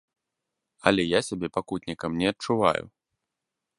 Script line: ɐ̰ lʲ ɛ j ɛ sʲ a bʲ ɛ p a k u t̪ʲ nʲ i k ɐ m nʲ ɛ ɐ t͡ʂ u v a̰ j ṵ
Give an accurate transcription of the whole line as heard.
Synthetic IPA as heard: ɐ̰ lʲ ɛ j a sʲ a bʲ ɛ p a k u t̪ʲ nʲ i k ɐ m nʲ ɛ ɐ t͡ʂ u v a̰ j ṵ